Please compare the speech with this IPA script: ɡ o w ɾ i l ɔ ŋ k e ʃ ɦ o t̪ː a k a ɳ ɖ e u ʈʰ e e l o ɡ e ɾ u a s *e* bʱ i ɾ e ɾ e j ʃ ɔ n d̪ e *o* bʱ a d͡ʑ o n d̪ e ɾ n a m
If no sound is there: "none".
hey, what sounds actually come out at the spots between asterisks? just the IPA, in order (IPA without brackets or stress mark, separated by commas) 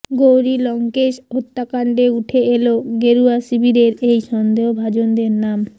i, o